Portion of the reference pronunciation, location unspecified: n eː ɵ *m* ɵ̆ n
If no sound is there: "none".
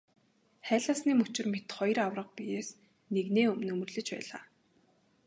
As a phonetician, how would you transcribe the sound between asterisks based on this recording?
m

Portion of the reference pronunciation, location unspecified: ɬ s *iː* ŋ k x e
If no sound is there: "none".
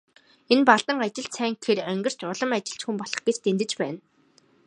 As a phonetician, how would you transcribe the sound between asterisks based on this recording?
æː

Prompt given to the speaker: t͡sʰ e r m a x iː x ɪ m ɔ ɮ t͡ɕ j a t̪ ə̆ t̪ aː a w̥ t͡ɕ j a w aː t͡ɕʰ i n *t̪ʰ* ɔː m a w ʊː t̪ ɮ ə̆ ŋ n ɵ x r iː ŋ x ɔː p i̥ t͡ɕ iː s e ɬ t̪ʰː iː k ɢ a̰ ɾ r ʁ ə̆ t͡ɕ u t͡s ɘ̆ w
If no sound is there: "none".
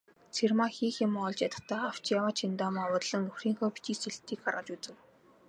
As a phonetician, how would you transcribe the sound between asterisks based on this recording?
t̪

